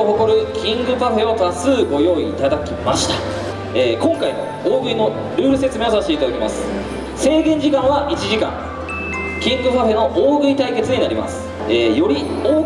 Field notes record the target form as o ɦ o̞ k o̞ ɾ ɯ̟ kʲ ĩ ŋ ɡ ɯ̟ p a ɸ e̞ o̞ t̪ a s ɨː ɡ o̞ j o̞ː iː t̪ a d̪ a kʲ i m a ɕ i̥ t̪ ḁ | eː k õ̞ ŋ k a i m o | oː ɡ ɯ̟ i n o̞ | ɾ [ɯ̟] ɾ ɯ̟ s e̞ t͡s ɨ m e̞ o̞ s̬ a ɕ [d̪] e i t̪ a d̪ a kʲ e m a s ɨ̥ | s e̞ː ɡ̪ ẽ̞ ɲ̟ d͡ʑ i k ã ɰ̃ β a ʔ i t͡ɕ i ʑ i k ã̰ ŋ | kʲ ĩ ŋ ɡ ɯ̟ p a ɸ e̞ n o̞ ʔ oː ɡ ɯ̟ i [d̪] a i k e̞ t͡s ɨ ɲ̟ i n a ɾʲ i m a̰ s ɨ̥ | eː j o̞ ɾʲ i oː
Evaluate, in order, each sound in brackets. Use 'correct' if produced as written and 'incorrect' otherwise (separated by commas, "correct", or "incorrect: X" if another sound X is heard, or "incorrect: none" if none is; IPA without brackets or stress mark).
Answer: incorrect: ɯ̟ː, incorrect: t̪, incorrect: t̪